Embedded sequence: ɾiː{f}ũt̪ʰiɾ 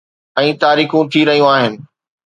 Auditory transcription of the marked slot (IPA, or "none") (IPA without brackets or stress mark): x